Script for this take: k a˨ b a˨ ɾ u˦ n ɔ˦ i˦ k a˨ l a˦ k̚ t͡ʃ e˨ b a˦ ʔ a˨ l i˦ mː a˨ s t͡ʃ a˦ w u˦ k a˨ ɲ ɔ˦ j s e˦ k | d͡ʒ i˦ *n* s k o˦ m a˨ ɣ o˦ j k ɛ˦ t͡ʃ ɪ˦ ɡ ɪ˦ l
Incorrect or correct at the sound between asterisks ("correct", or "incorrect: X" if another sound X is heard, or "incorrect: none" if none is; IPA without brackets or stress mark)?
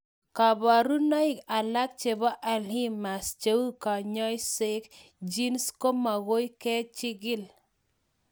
correct